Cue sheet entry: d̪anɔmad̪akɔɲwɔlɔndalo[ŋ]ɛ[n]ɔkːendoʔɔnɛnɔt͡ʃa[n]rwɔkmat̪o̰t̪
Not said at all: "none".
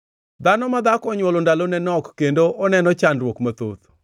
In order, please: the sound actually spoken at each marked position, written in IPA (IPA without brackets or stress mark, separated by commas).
n, n, n